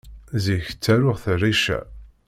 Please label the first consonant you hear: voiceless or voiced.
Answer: voiced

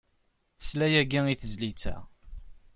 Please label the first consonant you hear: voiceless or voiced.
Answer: voiceless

